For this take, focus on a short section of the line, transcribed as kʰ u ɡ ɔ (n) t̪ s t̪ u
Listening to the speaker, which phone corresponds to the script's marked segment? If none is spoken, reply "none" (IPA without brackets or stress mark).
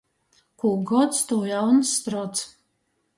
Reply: none